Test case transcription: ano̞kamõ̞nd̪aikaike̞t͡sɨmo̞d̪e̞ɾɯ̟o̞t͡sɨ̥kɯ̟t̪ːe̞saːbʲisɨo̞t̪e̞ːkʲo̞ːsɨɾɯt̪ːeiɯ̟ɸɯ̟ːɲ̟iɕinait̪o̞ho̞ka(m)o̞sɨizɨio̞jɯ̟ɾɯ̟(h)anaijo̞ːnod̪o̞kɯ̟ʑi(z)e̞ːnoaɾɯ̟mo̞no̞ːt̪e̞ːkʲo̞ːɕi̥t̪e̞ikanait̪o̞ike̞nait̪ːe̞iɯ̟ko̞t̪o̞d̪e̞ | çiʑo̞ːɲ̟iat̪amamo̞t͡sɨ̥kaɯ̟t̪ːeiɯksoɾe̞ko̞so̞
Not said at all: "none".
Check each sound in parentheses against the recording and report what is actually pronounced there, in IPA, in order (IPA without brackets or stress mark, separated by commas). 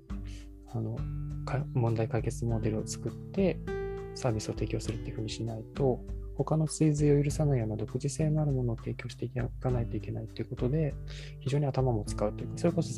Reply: n, s, s